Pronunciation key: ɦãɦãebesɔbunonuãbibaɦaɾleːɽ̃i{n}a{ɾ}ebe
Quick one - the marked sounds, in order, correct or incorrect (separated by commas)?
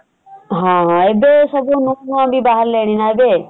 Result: correct, incorrect